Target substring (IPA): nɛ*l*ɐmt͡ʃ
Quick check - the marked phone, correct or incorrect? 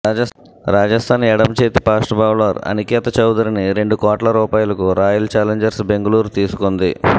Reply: incorrect